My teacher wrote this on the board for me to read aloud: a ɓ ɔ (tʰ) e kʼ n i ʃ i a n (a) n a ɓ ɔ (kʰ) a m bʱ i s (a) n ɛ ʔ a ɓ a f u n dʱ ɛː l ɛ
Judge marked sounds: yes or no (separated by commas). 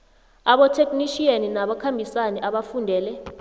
yes, no, yes, yes